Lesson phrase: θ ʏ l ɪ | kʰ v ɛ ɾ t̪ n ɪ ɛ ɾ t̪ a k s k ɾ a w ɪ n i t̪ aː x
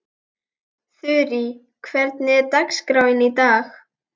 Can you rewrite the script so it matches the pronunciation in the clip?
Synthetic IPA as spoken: θ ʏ ɾ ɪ | kʰ v ɛ ɾ t̪ n ɪ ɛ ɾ t̪ a k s k ɾ a w ɪ n i t̪ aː x